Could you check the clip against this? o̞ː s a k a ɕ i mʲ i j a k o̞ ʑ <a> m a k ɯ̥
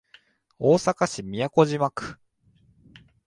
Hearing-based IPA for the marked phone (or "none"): i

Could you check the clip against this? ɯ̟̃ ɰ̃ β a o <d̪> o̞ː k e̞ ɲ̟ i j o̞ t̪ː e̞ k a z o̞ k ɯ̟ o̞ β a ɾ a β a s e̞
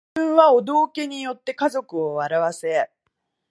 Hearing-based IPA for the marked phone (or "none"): d̪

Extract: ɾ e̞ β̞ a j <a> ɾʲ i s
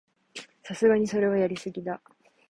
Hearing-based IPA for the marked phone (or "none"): a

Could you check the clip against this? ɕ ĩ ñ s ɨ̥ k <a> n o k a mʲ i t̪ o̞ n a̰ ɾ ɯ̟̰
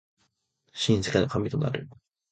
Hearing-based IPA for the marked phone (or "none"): e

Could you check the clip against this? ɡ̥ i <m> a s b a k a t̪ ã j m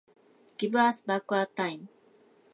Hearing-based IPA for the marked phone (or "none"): b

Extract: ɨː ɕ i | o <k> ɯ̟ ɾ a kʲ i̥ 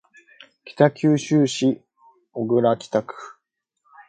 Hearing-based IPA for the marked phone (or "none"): ɡ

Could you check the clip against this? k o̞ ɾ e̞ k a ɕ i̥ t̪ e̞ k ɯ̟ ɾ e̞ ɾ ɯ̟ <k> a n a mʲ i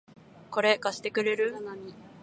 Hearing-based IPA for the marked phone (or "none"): none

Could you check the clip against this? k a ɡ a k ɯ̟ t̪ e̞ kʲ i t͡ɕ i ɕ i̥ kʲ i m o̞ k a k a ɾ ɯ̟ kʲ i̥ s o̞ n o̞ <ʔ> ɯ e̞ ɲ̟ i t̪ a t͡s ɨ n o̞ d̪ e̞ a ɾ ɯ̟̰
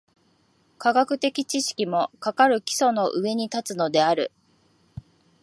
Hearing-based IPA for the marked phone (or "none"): ʔ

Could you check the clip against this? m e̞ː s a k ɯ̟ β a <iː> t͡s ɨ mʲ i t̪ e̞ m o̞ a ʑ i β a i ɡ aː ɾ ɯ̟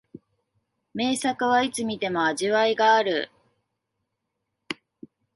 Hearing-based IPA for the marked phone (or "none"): i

